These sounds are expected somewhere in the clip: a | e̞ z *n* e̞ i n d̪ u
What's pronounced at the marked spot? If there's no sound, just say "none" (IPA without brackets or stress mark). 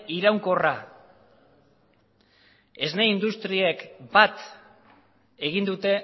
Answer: n